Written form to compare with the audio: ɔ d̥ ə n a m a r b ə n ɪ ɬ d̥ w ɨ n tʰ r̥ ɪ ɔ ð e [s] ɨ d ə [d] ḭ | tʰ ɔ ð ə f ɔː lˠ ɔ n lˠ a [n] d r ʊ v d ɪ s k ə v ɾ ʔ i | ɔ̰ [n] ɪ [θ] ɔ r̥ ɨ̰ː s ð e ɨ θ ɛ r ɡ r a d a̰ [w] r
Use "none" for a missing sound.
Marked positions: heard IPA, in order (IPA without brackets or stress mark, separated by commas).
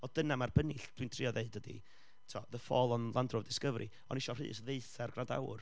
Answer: none, d, n, n, ʃ, w